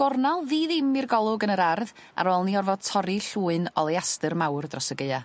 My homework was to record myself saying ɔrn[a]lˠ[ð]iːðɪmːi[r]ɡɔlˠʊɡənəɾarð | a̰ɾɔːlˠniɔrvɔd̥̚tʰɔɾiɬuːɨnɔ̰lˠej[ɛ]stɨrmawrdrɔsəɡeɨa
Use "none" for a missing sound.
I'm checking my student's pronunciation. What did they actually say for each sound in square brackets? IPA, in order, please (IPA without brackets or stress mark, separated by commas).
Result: a, ð, r, a